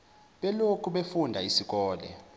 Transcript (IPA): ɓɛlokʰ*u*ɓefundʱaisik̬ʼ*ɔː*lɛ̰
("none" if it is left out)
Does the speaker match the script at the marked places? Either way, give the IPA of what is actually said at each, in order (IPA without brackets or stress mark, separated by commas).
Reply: u, ɔː